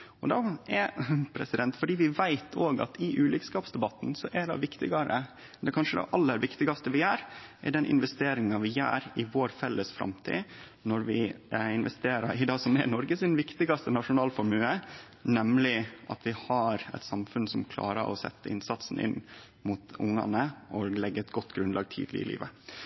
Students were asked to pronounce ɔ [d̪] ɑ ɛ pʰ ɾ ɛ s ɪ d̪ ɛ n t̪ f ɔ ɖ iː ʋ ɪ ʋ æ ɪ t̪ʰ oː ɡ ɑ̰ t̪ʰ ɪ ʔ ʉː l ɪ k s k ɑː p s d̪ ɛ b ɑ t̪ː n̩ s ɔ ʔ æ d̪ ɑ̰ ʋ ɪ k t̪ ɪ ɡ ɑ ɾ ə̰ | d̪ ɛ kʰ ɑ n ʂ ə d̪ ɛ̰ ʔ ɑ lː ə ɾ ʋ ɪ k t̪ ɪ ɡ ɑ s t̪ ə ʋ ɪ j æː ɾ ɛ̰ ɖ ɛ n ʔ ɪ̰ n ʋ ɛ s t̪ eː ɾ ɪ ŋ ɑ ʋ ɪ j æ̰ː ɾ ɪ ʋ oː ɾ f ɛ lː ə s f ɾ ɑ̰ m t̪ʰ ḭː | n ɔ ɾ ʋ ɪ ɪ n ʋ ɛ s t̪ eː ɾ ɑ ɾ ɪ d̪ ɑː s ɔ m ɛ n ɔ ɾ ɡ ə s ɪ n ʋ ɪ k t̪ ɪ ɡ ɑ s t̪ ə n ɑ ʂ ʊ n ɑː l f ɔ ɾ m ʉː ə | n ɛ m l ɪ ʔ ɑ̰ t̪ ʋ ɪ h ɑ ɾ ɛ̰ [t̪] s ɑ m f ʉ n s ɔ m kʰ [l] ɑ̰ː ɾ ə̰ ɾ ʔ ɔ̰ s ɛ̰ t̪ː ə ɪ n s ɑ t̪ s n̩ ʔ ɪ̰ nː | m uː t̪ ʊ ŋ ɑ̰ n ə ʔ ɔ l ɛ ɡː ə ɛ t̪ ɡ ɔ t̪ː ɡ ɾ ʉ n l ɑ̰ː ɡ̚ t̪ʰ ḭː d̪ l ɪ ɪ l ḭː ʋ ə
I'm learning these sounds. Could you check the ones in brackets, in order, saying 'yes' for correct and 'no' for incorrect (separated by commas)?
yes, yes, yes